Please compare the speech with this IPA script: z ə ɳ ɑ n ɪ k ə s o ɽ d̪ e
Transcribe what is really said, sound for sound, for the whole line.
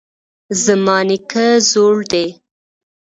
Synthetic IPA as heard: z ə m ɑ n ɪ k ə z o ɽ d̪ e